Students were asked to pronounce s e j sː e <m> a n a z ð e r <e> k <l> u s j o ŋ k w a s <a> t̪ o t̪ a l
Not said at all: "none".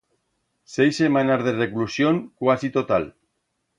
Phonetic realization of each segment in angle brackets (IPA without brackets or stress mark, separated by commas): m, e, l, i